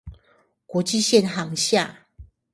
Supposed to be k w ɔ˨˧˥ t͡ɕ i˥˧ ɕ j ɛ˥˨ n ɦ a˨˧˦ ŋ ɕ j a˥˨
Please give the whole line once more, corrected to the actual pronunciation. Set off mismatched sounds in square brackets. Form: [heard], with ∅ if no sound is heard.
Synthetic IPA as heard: k w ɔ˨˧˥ t͡ɕ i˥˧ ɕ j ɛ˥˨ n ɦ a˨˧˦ ŋ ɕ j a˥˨